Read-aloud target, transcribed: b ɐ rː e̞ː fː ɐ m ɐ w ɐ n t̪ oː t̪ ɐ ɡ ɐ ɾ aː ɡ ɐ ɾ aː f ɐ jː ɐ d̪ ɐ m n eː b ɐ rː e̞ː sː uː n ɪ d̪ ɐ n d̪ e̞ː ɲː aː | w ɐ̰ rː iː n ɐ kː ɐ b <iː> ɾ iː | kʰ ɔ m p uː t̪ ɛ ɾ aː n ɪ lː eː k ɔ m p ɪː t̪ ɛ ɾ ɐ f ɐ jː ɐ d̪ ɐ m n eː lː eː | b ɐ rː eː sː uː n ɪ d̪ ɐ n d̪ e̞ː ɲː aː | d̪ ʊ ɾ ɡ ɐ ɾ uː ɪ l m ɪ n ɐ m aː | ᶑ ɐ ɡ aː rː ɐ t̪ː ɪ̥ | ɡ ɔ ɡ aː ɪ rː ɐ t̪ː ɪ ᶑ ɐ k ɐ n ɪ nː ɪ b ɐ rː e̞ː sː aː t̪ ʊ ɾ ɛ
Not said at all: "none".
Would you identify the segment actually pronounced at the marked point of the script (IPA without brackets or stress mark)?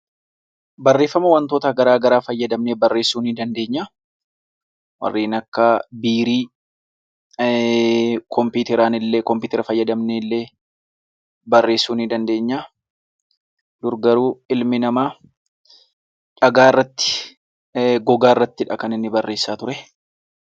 iː